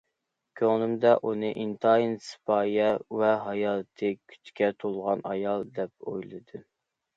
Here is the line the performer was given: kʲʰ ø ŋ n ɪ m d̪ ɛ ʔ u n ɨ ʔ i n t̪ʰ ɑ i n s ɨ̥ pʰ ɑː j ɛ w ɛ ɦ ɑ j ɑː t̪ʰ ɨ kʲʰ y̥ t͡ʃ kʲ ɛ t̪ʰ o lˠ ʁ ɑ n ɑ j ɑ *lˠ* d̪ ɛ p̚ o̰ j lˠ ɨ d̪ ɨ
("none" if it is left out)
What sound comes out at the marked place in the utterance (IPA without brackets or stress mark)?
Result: lˠ